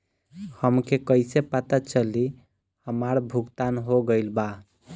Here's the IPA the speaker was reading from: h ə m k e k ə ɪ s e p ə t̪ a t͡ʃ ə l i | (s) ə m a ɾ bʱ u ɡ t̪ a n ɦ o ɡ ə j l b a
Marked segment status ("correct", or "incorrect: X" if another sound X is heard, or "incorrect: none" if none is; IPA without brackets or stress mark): incorrect: h